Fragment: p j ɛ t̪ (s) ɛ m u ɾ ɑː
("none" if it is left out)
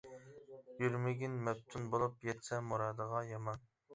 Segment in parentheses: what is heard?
s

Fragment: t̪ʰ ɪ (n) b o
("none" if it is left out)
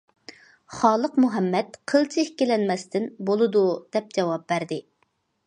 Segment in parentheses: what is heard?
n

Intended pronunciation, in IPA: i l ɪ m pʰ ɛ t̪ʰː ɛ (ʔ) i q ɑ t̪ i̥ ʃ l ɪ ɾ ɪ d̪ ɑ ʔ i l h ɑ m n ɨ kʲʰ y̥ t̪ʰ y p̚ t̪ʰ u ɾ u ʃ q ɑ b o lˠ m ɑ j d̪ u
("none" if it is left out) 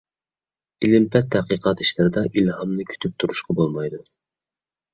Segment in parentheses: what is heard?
q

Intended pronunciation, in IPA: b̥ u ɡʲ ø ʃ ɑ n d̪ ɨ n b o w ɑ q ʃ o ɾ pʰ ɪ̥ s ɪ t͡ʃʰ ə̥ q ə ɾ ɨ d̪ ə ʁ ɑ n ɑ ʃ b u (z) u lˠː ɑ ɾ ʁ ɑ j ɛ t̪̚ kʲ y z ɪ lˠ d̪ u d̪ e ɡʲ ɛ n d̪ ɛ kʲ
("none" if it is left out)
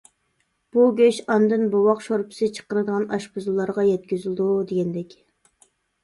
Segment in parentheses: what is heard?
z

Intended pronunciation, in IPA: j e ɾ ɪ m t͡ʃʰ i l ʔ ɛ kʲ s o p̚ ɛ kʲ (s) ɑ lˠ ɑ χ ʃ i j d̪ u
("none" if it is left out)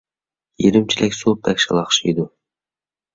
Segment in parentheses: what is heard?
ʃ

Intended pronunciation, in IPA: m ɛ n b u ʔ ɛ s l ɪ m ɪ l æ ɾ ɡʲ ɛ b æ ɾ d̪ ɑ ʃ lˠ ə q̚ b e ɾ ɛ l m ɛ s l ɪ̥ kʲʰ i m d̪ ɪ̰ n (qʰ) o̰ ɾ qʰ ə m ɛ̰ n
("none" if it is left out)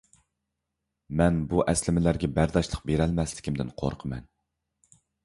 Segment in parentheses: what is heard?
qʰ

